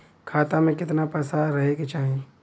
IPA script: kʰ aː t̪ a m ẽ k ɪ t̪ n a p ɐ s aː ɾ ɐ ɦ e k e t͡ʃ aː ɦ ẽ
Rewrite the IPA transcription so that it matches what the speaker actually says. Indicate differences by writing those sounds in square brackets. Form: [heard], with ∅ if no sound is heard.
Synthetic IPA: kʰ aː t̪ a m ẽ k ɪ t̪ n a p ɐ s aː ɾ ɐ ɦ e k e t͡ʃ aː ɦ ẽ